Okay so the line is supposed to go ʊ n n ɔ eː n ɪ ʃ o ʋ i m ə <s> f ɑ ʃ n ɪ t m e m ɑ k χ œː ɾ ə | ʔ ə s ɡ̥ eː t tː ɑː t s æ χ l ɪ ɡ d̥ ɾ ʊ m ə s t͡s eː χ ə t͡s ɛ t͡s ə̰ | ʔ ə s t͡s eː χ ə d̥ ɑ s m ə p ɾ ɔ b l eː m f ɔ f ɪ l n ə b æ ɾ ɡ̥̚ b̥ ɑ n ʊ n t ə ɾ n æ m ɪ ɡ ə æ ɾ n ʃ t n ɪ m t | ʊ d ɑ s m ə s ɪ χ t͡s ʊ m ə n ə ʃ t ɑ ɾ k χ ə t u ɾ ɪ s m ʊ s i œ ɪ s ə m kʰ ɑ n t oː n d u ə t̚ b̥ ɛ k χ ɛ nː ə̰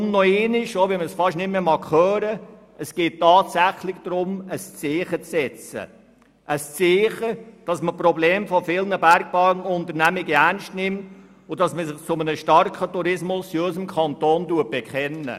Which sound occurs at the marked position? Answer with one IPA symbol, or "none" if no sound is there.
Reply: s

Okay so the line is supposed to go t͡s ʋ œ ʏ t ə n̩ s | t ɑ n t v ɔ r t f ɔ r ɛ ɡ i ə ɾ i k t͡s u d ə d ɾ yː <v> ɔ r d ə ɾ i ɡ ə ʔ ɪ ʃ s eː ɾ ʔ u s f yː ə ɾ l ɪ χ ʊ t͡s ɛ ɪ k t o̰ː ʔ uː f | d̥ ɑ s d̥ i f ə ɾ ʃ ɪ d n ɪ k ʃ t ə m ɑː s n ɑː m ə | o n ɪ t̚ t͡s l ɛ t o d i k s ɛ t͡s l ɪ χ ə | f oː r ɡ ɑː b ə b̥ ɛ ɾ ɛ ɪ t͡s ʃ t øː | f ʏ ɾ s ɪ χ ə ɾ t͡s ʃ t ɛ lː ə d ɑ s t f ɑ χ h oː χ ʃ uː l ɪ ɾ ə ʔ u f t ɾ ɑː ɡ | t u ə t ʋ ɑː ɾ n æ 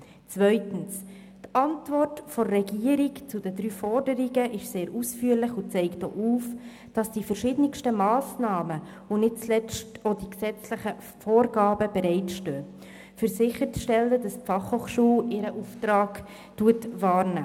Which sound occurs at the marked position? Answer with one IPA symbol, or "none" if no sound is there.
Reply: f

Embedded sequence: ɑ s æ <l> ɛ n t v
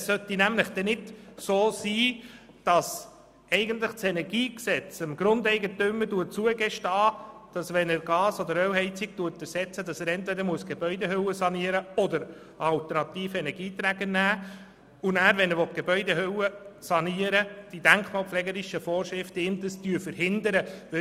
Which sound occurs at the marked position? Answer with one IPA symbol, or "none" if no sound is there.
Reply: ɾ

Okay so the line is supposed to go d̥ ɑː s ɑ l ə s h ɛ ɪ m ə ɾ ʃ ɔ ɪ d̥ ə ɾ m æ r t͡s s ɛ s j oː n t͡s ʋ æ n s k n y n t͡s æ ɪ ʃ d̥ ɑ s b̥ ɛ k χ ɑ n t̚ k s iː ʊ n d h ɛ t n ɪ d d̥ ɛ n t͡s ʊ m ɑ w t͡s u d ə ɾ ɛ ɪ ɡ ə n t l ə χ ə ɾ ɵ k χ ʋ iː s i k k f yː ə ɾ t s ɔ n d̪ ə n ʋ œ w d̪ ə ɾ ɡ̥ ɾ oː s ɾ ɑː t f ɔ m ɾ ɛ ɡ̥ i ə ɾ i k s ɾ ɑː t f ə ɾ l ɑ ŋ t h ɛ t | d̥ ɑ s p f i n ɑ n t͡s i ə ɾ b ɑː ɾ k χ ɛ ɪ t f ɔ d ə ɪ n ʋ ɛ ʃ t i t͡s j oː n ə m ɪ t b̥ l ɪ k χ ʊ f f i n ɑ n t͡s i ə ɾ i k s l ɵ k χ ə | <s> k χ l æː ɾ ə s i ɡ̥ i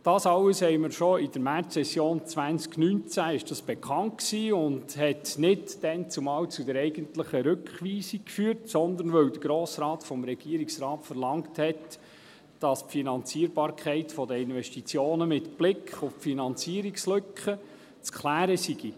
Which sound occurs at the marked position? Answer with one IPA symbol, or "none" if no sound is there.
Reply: t͡s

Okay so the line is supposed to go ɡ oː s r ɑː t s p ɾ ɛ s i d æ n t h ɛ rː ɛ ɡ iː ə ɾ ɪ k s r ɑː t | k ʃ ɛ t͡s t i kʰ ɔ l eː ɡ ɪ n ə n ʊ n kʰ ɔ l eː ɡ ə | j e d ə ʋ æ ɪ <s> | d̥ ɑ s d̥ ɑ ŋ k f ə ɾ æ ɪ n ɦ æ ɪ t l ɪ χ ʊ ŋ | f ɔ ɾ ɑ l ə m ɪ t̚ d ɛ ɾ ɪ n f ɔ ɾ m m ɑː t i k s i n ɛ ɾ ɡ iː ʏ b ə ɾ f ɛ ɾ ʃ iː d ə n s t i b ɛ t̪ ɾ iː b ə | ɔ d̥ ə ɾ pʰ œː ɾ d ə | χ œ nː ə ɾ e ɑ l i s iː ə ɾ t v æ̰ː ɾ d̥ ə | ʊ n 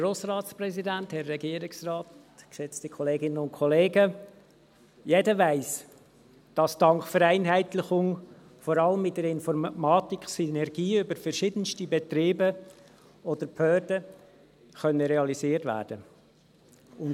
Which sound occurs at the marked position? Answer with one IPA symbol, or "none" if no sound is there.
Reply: s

